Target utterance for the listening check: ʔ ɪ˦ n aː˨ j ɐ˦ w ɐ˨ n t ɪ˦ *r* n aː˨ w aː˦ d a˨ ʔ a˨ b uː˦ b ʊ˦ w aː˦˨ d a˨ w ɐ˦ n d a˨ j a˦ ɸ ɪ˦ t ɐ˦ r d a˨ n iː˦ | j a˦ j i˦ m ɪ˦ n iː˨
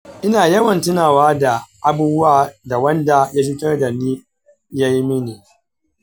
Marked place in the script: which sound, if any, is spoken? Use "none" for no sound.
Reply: none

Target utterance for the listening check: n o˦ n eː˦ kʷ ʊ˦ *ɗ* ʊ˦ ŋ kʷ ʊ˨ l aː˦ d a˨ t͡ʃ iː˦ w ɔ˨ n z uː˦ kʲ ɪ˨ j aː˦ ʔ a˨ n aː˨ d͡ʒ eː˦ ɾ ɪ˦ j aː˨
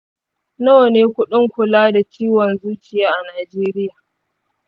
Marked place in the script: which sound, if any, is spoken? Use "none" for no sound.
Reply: ɗ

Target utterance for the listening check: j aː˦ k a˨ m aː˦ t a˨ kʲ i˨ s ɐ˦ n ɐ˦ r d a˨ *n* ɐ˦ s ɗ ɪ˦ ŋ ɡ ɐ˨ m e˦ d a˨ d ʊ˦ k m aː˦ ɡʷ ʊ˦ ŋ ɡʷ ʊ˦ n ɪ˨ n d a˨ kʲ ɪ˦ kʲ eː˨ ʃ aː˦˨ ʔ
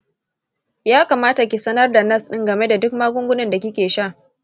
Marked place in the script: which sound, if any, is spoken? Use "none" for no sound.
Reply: n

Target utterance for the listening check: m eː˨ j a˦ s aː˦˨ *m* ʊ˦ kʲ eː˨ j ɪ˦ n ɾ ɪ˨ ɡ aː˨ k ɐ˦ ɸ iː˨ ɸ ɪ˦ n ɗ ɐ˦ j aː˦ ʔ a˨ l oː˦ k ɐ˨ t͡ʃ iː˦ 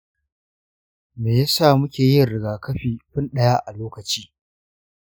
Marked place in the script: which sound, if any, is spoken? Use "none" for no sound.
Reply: m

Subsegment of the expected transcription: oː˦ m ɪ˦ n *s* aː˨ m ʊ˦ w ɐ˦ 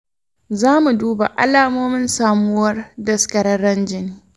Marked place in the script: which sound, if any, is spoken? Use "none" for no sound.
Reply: s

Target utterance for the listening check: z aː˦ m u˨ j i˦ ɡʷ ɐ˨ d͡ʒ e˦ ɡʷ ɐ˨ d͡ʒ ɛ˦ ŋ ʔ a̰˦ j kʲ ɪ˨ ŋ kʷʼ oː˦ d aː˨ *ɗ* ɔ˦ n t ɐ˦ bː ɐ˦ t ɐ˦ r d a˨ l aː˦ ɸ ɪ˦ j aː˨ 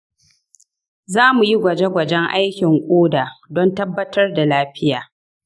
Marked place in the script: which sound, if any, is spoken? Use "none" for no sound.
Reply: d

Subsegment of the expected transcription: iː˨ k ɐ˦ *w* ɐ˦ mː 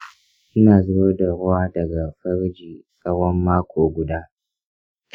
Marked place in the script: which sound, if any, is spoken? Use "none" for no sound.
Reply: w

